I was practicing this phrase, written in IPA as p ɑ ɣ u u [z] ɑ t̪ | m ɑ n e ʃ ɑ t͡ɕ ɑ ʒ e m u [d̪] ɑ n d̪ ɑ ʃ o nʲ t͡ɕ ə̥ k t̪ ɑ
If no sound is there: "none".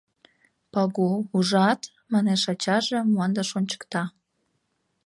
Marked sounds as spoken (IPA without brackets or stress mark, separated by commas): ʒ, none